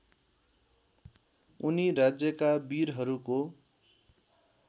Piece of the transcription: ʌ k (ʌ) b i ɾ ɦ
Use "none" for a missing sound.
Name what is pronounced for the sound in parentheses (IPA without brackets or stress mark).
a